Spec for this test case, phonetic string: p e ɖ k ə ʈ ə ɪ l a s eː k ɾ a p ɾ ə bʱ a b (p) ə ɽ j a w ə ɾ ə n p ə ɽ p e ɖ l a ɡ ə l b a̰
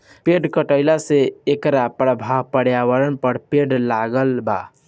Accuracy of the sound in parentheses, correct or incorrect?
correct